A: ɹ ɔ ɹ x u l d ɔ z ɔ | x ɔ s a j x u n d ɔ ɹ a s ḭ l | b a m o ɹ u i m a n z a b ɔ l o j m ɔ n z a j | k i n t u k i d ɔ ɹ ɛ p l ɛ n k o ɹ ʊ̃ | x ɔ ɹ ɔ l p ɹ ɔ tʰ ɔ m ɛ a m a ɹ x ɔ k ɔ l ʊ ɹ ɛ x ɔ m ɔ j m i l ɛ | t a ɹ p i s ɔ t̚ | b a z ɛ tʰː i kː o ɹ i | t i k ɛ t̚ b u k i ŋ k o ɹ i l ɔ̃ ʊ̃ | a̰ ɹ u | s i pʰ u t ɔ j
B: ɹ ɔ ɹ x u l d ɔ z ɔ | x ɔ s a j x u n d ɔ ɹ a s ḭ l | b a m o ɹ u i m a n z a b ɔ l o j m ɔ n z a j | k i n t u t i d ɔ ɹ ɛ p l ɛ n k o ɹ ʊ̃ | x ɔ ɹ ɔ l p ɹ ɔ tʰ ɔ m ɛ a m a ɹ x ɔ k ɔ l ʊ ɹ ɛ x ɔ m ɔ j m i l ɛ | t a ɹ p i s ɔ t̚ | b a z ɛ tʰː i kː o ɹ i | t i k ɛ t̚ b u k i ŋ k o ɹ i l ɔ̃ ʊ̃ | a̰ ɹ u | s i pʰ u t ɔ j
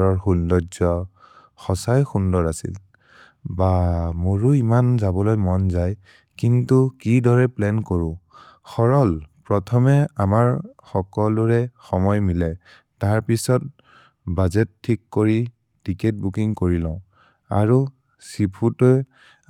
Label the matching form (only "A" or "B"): A